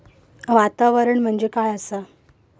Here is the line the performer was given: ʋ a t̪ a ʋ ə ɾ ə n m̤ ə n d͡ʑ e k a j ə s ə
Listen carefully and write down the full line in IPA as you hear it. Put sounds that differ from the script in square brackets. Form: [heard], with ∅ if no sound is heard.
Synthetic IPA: ʋ a t̪ a ʋ ə ɾ ə [ɳ] m̤ ə [ɳ] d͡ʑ e k a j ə s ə